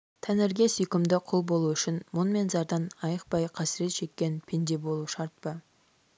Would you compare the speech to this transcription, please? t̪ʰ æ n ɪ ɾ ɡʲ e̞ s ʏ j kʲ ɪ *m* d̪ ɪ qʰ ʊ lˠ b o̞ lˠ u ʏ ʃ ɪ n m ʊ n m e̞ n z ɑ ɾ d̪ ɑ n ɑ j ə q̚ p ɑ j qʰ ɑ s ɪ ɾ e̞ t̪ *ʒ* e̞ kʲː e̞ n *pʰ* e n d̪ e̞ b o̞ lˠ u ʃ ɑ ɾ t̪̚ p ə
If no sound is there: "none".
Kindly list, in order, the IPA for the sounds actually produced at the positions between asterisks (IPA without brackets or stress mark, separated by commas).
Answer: m, ʃ, pʰ